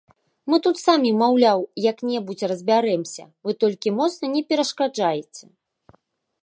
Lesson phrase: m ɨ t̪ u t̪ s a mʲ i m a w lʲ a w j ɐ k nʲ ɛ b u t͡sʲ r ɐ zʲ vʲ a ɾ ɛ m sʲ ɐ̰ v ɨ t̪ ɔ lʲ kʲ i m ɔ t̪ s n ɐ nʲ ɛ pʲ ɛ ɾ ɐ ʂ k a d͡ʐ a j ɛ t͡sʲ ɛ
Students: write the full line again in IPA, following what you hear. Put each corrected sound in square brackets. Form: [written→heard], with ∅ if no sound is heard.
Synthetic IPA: m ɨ t̪ u t̪ s a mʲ i m a w lʲ a w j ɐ k nʲ ɛ b u t͡sʲ r ɐ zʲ [vʲ→bʲ] a ɾ ɛ m sʲ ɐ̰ v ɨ t̪ ɔ lʲ kʲ i m ɔ t̪ s n ɐ nʲ ɛ pʲ ɛ ɾ ɐ ʂ k a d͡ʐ a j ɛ t͡sʲ ɛ